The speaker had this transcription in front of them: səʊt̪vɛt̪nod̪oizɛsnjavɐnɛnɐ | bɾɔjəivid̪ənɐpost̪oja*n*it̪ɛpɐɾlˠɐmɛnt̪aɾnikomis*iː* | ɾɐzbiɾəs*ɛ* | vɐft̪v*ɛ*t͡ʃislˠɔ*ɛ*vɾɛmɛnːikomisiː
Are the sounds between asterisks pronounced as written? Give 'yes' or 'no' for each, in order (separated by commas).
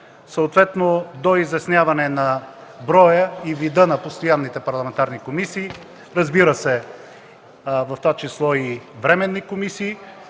no, yes, yes, no, no